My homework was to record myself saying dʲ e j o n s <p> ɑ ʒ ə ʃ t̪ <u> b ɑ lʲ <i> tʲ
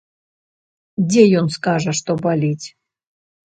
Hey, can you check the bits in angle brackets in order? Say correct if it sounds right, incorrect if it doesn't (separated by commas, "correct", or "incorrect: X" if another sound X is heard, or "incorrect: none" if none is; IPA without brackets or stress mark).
incorrect: k, incorrect: o, correct